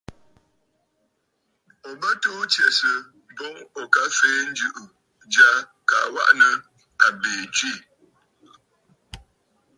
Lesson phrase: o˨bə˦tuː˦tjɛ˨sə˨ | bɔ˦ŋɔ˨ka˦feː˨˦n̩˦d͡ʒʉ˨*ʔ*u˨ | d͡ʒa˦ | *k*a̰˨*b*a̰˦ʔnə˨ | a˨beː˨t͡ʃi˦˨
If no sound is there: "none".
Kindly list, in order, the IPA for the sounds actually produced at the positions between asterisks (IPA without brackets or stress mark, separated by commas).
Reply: ʔ, k, w